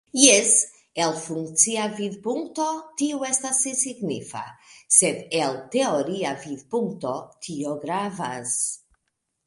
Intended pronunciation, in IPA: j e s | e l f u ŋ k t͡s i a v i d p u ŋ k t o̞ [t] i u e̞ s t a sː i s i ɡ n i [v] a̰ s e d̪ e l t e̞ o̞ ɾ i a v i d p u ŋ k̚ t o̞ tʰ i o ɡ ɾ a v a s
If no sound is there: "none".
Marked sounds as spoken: t, f

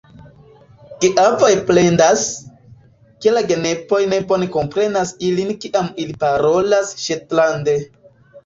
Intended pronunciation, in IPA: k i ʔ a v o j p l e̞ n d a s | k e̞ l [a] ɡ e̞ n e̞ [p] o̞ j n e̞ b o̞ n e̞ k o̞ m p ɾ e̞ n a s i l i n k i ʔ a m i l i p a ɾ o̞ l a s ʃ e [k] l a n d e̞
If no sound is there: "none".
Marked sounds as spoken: a, p, t

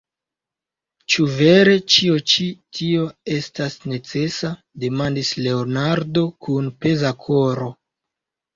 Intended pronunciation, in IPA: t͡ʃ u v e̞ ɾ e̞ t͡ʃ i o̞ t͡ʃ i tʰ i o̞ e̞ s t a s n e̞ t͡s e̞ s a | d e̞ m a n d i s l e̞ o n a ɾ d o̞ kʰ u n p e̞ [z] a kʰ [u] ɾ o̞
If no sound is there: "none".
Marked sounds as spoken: z, o

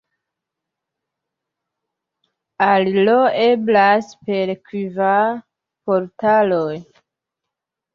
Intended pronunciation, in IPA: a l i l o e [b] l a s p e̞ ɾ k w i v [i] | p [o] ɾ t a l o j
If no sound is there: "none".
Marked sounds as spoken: b, a, o

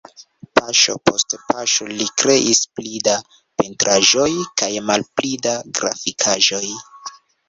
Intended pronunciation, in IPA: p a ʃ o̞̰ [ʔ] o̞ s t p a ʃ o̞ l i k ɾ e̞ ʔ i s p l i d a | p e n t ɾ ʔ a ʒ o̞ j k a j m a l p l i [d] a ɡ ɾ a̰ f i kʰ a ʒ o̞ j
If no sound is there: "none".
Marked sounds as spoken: p, d

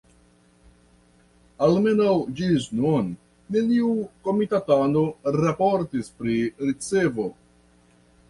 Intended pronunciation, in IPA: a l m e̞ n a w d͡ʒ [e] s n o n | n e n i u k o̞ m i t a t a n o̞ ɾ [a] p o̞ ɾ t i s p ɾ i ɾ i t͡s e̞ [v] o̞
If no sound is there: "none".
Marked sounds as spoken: i, a, v

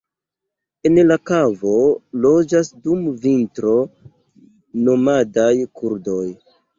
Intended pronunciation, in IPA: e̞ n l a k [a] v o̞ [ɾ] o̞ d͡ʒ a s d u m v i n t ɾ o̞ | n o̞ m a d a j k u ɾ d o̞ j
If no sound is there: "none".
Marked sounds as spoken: a, l

